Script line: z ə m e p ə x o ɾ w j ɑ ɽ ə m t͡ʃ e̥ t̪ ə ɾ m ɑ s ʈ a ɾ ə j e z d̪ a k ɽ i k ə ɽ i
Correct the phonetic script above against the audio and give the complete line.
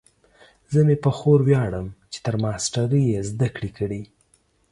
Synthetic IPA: z ə m e p ə x o ɾ w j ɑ ɽ ə m t͡ʃ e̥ t̪ ə ɾ m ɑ s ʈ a ɾ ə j e z d̪ a k ɽ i k ə ɽ i